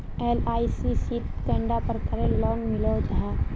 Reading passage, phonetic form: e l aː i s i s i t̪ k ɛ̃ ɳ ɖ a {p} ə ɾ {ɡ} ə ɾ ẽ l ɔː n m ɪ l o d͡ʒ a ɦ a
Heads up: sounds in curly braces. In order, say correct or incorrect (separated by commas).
correct, incorrect